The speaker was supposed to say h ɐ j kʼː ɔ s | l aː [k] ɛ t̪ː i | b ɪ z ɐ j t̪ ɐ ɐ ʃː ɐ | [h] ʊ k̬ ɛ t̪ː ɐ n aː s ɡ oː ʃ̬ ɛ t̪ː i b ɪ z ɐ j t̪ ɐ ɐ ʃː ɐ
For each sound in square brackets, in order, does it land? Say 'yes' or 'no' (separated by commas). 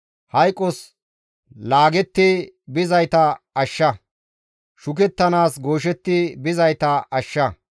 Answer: no, no